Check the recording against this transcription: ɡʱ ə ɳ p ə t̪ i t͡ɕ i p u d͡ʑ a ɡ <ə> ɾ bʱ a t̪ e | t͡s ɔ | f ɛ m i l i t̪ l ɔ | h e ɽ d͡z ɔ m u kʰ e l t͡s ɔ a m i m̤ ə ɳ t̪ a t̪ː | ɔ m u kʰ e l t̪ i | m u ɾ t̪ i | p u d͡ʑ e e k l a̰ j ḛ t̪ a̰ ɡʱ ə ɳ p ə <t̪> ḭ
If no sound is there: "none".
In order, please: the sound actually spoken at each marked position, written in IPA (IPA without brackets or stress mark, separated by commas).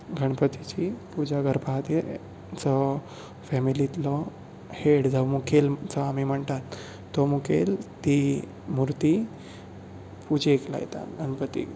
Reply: ə, t̪